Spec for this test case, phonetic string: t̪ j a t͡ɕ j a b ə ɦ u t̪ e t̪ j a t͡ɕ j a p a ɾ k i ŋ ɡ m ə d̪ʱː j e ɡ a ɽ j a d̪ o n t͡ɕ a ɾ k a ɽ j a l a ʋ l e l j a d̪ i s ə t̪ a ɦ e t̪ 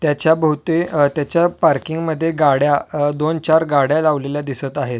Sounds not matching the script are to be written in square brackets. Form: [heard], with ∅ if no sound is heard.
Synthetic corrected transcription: t̪ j a t͡ɕ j a b ə ɦ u t̪ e t̪ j a t͡ɕ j a p a ɾ k i ŋ ɡ m ə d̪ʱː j e ɡ a ɽ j a d̪ o n t͡ɕ a ɾ [ɡ] a ɽ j a l a ʋ l e l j a d̪ i s ə t̪ a ɦ e t̪